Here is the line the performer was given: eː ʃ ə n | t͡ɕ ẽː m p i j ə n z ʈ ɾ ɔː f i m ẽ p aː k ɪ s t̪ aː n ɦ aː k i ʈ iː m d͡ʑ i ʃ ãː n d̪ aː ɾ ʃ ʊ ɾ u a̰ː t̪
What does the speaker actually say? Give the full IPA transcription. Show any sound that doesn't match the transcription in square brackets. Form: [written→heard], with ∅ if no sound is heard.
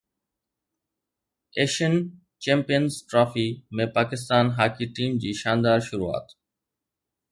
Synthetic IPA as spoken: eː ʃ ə n | t͡ɕ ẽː m p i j ə n z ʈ ɾ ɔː f i m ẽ p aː k ɪ s t̪ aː n ɦ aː k i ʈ iː m d͡ʑ [i→iː] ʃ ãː n d̪ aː ɾ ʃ ʊ ɾ u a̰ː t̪